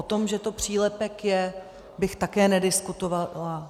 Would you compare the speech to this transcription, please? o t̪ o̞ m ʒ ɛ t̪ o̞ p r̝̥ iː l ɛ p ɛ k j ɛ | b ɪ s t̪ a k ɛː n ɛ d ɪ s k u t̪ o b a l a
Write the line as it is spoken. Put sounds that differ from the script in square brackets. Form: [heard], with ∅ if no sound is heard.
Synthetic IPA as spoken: o t̪ o̞ m ʒ ɛ t̪ o̞ p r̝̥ iː l ɛ p ɛ k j ɛ | b ɪ [x] t̪ a k ɛː n ɛ d ɪ s k u t̪ o [v] a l a